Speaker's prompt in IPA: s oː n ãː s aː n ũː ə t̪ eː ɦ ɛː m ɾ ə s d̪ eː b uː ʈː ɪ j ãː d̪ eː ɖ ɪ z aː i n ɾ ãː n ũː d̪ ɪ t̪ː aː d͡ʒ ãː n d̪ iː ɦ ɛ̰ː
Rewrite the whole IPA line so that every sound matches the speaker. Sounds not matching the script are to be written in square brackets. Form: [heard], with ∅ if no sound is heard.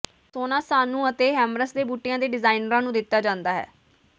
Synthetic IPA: s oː n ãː s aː n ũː ə t̪ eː ɦ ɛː m ɾ ə s d̪ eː b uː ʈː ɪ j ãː d̪ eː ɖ ɪ z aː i n ɾ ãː n ũː d̪ ɪ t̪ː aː d͡ʒ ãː n d̪ [aː] ɦ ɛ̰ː